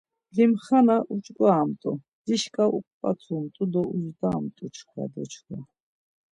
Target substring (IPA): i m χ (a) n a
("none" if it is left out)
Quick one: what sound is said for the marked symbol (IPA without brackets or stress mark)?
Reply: a